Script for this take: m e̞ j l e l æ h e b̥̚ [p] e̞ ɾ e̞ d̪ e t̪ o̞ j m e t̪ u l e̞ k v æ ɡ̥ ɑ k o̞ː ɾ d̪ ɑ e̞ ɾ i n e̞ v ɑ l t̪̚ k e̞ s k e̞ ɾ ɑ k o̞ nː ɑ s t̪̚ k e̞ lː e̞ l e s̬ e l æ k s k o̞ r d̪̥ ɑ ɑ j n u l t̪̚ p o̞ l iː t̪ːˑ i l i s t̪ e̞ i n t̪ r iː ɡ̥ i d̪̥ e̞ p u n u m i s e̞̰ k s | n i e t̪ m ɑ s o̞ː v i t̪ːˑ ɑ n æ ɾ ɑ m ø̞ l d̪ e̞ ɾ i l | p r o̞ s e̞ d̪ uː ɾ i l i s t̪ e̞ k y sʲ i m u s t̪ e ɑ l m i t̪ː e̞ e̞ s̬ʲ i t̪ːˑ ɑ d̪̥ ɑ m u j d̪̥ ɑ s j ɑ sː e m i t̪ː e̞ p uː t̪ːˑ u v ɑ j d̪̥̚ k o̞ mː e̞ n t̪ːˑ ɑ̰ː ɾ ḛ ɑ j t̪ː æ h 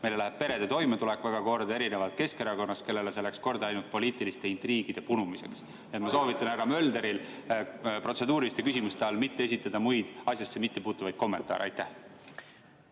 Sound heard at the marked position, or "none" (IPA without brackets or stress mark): p